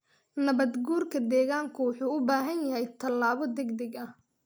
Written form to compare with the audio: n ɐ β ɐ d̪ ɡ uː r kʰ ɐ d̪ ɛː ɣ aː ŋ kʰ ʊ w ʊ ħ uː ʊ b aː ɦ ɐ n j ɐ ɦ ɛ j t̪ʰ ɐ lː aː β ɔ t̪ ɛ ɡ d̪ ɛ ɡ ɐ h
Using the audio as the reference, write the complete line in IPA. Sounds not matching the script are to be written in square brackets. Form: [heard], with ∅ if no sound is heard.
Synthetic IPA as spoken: n ɐ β ɐ d̪ ɡ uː r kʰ ɐ d̪ ɛː ɣ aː ŋ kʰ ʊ w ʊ ħ uː ʊ b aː ɦ ɐ n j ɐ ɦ ɛ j t̪ʰ ɐ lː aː β ɔ [d̪] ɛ ɡ d̪ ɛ ɡ ɐ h